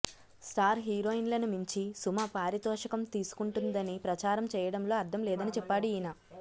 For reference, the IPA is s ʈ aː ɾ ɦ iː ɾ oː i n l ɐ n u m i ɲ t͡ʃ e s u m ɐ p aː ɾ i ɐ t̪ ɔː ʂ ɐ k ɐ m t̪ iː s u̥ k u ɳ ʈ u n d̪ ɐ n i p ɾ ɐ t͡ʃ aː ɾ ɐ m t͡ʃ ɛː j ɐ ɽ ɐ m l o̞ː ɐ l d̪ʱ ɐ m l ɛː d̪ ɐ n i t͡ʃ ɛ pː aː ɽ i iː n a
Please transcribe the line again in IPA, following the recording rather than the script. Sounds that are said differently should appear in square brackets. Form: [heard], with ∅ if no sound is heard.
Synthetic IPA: s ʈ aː ɾ ɦ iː ɾ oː i n l ɐ n u m i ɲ t͡ʃ [i] s u m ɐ p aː ɾ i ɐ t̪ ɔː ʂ ɐ k ɐ m t̪ iː s u̥ k u ɳ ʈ u n d̪ ɐ n i p ɾ ɐ t͡ʃ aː ɾ ɐ m t͡ʃ ɛː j ɐ ɽ ɐ m l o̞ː ɐ [ɾ] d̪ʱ ɐ m l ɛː d̪ ɐ n i t͡ʃ ɛ pː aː ɽ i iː n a